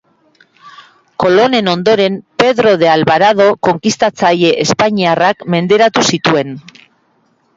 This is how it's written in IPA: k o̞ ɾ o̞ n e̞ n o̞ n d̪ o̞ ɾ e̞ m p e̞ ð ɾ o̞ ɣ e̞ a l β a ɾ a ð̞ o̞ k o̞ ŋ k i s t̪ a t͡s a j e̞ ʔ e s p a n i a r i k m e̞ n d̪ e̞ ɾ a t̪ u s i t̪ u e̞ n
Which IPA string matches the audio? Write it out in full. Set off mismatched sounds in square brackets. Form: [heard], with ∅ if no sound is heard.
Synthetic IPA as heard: k o̞ [l] o̞ n e̞ n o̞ n d̪ o̞ ɾ e̞ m p e̞ ð ɾ o̞ [ð] e̞ a l β a ɾ a ð̞ o̞ k o̞ ŋ k i s t̪ a t͡s a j e̞ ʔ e s p a [ɲ] i a r [a] k m e̞ n d̪ e̞ ɾ a t̪ u s i t̪ u e̞ n

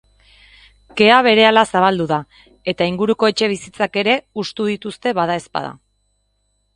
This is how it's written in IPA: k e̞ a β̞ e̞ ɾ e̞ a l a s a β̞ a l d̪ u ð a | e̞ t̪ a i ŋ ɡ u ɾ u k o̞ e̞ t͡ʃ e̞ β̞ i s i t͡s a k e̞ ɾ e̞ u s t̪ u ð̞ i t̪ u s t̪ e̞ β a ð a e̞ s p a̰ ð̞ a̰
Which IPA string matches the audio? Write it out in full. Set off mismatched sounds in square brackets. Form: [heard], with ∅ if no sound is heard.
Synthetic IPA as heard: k e̞ a β̞ e̞ ɾ e̞ a l a s a β̞ a l d̪ u ð a | e̞ t̪ a i ŋ ɡ u ɾ u k o̞ e̞ t͡ʃ e̞ β̞ i s i t͡s a k e̞ ɾ e̞ u s t̪ u ð̞ i t̪ u s t̪ e̞ β a ð a e̞ s p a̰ ð̞ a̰

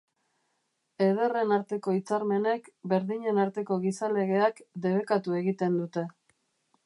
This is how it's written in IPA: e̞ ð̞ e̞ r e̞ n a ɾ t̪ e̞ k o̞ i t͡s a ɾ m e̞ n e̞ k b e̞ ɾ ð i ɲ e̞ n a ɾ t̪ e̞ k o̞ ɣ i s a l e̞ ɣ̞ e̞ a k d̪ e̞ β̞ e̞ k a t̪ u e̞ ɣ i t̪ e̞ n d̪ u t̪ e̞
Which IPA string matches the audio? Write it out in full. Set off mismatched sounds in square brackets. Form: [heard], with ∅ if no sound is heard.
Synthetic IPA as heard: e̞ ð̞ e̞ r e̞ n a ɾ t̪ e̞ k o̞ i t͡s a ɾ m e̞ n e̞ k b e̞ ɾ ð i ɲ e̞ n a ɾ t̪ e̞ k o̞ ɣ i s a l e̞ ɣ̞ e̞ a k d̪ e̞ β̞ e̞ k a t̪ u e̞ ɣ i t̪ e̞ n d̪ u t̪ e̞

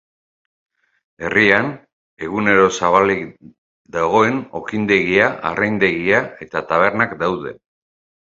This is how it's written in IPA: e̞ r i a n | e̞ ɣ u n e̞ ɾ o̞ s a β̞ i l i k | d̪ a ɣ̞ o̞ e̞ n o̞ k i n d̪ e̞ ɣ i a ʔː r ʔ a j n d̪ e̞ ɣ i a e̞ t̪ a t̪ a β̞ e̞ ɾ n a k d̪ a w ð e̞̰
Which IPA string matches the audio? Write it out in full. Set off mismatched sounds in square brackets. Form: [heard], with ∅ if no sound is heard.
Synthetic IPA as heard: e̞ r i a n | e̞ ɣ u n e̞ ɾ o̞ s a β̞ [a] l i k | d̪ a ɣ̞ o̞ e̞ n o̞ k i n d̪ e̞ ɣ i a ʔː r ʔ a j n d̪ e̞ ɣ i a e̞ t̪ a t̪ a β̞ e̞ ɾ n a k d̪ a w ð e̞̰

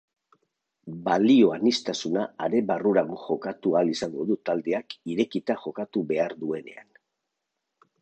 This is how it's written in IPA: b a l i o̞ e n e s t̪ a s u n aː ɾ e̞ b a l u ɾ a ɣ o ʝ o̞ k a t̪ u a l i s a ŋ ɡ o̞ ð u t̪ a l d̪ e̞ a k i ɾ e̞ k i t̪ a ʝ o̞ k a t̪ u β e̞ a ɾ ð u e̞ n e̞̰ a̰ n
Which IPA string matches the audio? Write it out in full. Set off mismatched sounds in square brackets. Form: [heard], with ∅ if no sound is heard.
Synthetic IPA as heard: b a l i o̞ [a] n [i] s t̪ a s u n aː ɾ e̞ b a [r] u ɾ a ɣ o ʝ o̞ k a t̪ u a l i s a ŋ ɡ o̞ ð u t̪ a l d̪ e̞ a k i ɾ e̞ k i t̪ a ʝ o̞ k a t̪ u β e̞ a ɾ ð u e̞ n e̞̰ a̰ n

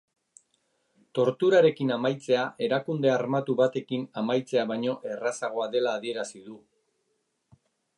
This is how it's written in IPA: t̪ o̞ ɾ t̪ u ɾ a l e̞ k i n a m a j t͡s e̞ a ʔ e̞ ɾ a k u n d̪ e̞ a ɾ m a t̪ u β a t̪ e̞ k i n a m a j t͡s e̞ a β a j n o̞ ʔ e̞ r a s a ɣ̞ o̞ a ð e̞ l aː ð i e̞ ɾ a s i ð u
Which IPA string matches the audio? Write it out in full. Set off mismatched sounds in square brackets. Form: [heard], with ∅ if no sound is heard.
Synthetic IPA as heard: t̪ o̞ ɾ t̪ u ɾ a [ɾ] e̞ k i n a m a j t͡s e̞ a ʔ e̞ ɾ a k u n d̪ e̞ a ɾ m a t̪ u β a t̪ e̞ k i n a m a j t͡s e̞ a β a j [ɲ] o̞ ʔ e̞ r a s a ɣ̞ o̞ a ð e̞ l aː ð i e̞ ɾ a s i ð u

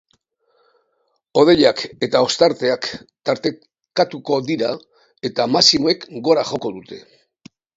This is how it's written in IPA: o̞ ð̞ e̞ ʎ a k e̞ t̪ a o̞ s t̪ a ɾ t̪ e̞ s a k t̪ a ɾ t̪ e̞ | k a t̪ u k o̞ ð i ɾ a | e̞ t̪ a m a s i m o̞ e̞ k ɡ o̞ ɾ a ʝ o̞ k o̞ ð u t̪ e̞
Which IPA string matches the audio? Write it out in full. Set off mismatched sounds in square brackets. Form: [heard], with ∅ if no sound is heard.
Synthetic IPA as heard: o̞ ð̞ e̞ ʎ a k e̞ t̪ a o̞ s t̪ a ɾ t̪ e̞ [∅] a k t̪ a ɾ t̪ e̞ | k a t̪ u k o̞ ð i ɾ a | e̞ t̪ a m a s i m o̞ e̞ k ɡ o̞ ɾ a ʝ o̞ k o̞ ð u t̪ e̞

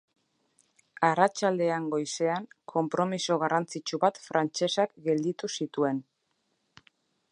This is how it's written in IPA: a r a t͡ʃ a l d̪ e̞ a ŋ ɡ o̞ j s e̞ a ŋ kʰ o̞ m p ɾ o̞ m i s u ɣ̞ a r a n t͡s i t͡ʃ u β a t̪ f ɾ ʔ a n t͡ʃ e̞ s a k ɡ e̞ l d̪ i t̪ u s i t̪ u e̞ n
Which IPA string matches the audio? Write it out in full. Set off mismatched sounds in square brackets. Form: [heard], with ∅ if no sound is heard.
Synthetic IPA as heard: a r a t͡ʃ a l d̪ e̞ a ŋ ɡ o̞ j s e̞ a ŋ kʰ o̞ m p ɾ o̞ m i s [o] ɣ̞ a r a n t͡s i t͡ʃ u β a t̪ f ɾ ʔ a n t͡ʃ e̞ s a k ɡ e̞ l d̪ i t̪ u s i t̪ u e̞ n

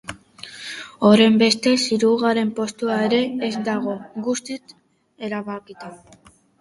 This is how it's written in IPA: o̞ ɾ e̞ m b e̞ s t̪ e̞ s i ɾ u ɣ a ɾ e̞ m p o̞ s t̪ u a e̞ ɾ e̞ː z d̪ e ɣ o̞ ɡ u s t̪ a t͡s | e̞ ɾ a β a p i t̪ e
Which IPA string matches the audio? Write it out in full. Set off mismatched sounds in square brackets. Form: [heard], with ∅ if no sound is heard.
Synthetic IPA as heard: o̞ ɾ e̞ m b e̞ s t̪ e̞ s i ɾ u ɣ a ɾ e̞ m p o̞ s t̪ u a e̞ ɾ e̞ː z d̪ [a] ɣ o̞ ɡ u s t̪ [i] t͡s | e̞ ɾ a β a [k] i t̪ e

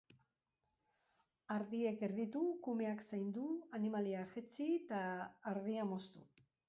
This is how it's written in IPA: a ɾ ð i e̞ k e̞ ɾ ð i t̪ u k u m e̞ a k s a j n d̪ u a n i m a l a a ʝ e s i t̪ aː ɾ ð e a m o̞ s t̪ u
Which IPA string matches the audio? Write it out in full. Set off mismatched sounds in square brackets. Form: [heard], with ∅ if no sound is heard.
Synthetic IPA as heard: a ɾ ð i e̞ k e̞ ɾ ð i t̪ u k u m e̞ a k s a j n d̪ u a n i m a l [i] a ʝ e [t͡s] i t̪ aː ɾ ð [i] a m o̞ s t̪ u

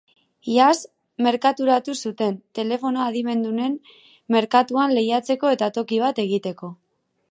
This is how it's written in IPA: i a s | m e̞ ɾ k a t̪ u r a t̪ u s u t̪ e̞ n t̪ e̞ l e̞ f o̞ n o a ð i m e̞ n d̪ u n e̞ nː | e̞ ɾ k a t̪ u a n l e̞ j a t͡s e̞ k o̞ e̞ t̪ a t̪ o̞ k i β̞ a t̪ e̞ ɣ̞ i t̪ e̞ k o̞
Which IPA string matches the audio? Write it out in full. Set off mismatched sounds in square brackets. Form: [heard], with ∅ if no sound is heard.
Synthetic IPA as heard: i a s | m e̞ ɾ k a t̪ u [ɾ] a t̪ u s u t̪ e̞ n t̪ e̞ l e̞ f o̞ n o a ð i m e̞ n d̪ u n e̞ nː | e̞ ɾ k a t̪ u a n l e̞ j a t͡s e̞ k o̞ e̞ t̪ a t̪ o̞ k i β̞ a t̪ e̞ ɣ̞ i t̪ e̞ k o̞

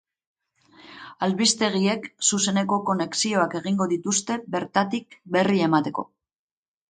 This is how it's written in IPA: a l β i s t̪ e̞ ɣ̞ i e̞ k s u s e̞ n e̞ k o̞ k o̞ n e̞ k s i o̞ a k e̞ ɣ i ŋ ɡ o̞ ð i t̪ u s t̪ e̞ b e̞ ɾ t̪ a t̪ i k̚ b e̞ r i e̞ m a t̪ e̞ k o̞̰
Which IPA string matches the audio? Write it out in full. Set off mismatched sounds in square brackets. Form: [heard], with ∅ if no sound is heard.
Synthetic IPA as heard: a l β i s t̪ e̞ ɣ̞ i e̞ k s u s e̞ n e̞ k o̞ k o̞ n e̞ k s i o̞ a k e̞ ɣ i ŋ ɡ o̞ ð i t̪ u s t̪ e̞ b e̞ ɾ t̪ a t̪ i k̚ b e̞ r i e̞ m a t̪ e̞ k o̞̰

